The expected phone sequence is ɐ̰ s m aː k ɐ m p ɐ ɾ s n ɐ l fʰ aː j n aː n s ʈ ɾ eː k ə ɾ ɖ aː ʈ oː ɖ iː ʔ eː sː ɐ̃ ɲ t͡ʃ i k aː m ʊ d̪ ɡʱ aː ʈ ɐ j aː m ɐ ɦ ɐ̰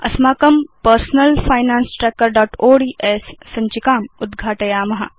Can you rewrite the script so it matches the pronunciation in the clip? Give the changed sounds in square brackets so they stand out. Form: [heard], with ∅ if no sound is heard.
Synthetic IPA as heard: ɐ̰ s m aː k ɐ m p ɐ ɾ s n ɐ l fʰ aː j n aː n s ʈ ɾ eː k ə ɾ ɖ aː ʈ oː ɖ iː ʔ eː sː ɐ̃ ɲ t͡ʃ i k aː m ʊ d̪ ɡʱ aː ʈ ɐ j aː m ɐ ɦ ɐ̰

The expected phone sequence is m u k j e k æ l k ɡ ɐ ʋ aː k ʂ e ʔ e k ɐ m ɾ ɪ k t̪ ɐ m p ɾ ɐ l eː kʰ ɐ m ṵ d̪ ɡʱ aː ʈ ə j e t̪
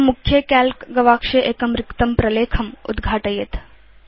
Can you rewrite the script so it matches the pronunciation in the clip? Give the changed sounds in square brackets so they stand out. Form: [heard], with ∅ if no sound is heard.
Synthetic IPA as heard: m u [kʰ] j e k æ l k ɡ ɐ ʋ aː k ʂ e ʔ e k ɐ m ɾ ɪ k t̪ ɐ m p ɾ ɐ l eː kʰ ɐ m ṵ d̪ ɡʱ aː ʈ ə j e t̪

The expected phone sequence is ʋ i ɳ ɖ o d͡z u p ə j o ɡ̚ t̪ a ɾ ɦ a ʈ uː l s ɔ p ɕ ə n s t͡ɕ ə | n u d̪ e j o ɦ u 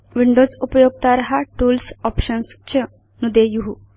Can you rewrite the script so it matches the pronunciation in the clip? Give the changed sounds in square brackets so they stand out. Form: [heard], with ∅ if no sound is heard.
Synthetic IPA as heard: ʋ i ɳ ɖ o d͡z u p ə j o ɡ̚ t̪ a ɾ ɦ a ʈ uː l s ɔ p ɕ ə n s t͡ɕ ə | n u d̪ e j [u] ɦ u

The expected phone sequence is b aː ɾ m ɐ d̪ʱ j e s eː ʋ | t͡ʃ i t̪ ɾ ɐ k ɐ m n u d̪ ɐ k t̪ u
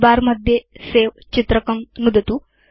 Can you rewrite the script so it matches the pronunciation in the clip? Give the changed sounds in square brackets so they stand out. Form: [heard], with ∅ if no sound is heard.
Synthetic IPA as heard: b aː ɾ m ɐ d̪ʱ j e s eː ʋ | t͡ʃ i t̪ ɾ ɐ k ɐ m n u d̪ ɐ [∅] t̪ u

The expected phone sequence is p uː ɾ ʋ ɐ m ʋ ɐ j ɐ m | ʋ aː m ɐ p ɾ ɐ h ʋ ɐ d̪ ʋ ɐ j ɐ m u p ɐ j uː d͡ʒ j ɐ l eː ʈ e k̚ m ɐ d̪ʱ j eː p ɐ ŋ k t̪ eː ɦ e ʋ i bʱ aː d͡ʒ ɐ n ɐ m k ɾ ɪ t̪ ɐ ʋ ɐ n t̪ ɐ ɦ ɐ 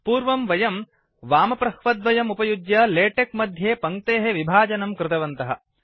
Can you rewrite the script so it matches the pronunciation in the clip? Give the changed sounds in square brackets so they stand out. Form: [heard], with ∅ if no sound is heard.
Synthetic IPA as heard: p uː ɾ ʋ ɐ m ʋ ɐ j ɐ m | ʋ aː m ɐ p ɾ ɐ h ʋ ɐ d̪ ʋ ɐ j ɐ m u p ɐ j [u] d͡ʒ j ɐ l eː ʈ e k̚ m ɐ d̪ʱ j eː p ɐ ŋ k t̪ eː ɦ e ʋ i bʱ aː d͡ʒ ɐ n ɐ m k ɾ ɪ t̪ ɐ ʋ ɐ n t̪ ɐ ɦ ɐ

